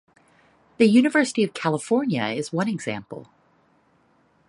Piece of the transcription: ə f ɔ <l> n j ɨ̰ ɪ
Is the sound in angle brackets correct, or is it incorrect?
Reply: incorrect